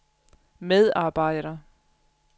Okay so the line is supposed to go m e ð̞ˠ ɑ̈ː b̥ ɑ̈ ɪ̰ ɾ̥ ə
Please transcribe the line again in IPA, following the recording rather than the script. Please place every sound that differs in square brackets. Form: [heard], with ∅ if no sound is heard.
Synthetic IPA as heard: m e ð̞ˠ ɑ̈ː b̥ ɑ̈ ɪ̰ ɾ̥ [ɐ]